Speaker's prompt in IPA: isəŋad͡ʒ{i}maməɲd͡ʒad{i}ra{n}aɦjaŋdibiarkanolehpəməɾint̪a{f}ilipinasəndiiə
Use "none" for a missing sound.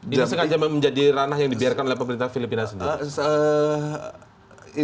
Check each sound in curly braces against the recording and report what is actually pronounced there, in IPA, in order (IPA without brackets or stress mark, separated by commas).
a, i, n, f